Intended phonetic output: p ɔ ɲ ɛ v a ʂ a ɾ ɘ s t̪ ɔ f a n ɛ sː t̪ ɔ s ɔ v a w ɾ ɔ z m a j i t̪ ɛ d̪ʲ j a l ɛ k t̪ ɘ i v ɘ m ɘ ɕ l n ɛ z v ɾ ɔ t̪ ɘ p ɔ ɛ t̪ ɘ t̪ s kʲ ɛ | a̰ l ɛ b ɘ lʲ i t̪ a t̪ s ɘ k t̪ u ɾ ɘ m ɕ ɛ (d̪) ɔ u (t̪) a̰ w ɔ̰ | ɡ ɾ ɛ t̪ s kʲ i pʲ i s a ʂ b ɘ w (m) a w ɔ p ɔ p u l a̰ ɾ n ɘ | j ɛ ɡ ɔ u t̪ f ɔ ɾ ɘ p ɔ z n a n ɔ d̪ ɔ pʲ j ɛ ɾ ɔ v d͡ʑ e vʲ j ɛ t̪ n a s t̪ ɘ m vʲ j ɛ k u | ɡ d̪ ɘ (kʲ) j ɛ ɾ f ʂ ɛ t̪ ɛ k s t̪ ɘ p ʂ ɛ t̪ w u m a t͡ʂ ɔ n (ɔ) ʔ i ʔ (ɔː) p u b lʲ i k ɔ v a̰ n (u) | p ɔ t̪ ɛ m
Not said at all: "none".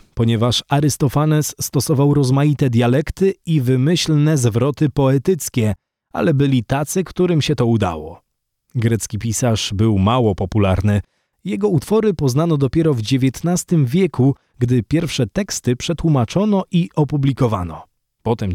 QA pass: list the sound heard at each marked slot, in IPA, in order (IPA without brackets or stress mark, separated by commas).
t̪, d̪, m, pʲ, ɔ, ɔ, ɔ